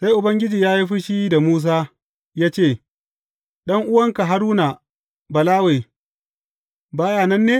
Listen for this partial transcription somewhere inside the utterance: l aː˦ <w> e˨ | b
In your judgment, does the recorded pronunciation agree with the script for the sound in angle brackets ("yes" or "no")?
yes